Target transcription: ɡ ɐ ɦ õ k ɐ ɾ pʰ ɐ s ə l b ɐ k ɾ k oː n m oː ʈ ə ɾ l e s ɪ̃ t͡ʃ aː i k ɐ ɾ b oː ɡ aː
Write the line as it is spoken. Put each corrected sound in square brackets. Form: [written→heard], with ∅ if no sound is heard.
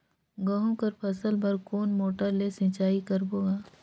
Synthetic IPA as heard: ɡ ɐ ɦ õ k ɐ ɾ pʰ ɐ s ə l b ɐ [k→∅] ɾ k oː n m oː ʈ ə ɾ l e s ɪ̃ t͡ʃ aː i k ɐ ɾ b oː ɡ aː

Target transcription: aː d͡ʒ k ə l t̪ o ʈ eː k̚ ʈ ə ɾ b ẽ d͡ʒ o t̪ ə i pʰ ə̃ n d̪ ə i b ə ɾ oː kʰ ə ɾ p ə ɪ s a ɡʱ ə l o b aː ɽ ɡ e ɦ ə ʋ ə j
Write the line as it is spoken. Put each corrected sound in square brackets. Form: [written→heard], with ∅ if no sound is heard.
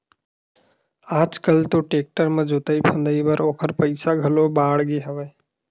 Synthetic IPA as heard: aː d͡ʒ k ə l t̪ o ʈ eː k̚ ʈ ə ɾ [b→m] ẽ d͡ʒ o t̪ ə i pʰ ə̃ n d̪ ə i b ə ɾ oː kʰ ə ɾ p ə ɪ s a ɡʱ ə l o b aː ɽ ɡ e ɦ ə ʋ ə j

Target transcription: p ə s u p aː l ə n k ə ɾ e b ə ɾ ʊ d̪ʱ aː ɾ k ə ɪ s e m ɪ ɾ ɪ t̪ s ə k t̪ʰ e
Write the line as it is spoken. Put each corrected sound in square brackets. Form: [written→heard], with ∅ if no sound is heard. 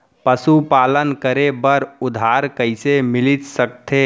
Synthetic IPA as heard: p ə s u p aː l ə n k ə ɾ e b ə ɾ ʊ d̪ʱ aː ɾ k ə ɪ s e m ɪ [ɾ→l] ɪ t̪ s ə k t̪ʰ e

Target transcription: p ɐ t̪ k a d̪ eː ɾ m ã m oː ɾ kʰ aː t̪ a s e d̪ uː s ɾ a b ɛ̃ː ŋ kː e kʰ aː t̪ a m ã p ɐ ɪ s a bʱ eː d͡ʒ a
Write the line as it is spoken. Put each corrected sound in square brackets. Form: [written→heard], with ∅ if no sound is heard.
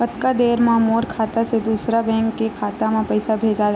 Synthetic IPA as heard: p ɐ t̪ k a d̪ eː ɾ m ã m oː ɾ kʰ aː t̪ a s e d̪ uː s ɾ a b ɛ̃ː ŋ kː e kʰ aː t̪ a m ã p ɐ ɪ s a bʱ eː d͡ʒ a

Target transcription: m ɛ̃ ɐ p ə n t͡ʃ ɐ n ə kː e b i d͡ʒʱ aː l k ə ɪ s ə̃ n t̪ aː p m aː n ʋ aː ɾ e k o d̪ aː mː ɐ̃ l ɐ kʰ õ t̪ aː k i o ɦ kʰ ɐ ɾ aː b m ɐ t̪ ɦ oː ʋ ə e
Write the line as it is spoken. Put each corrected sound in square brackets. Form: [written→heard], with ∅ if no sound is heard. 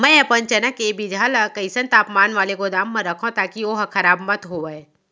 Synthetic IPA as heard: m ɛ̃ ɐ p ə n t͡ʃ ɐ n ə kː e b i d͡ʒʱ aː l k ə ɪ s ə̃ n t̪ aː p m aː n ʋ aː [ɾ→l] e k o d̪ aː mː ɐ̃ [l→ɾ] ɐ kʰ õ t̪ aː k i o ɦ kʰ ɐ ɾ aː b m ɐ t̪ ɦ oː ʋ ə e

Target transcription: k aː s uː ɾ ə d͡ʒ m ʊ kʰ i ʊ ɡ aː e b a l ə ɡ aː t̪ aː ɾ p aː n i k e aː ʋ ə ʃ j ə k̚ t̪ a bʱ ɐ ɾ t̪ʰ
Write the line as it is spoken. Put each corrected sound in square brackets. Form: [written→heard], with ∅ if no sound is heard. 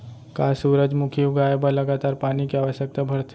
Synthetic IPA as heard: k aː s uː ɾ ə d͡ʒ m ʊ kʰ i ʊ ɡ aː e b a l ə ɡ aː t̪ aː ɾ p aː n i k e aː ʋ ə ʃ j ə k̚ t̪ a bʱ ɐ ɾ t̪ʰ

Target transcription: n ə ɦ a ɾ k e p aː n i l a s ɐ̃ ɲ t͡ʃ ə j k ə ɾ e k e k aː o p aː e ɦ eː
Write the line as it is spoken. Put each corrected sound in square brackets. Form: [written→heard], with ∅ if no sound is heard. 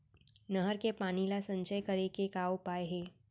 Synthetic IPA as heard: n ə ɦ [a→ə] ɾ k e p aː n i l a s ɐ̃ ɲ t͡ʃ ə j k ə ɾ e k e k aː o p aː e ɦ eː

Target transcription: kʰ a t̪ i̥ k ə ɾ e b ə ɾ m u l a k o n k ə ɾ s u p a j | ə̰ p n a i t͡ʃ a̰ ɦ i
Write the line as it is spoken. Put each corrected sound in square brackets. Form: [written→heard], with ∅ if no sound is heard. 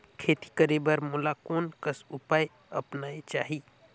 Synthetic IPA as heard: kʰ [a→e] t̪ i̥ k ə ɾ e b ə ɾ m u l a k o n k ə [ɾ→∅] s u p a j | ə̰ p n a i t͡ʃ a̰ ɦ i

